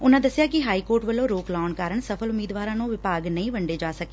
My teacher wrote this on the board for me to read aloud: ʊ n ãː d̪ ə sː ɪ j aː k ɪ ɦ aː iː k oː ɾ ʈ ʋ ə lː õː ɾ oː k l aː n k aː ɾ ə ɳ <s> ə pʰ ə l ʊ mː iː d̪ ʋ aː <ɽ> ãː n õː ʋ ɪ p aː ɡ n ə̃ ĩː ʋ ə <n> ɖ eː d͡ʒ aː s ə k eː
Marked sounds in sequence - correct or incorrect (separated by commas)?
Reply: correct, incorrect, incorrect